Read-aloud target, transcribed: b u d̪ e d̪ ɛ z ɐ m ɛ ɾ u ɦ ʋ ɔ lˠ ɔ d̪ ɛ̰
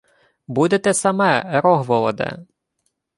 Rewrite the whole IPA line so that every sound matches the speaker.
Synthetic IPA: b u d̪ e t̪ ɛ s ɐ m ɛ ɾ ɔ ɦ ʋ ɔ lˠ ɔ d̪ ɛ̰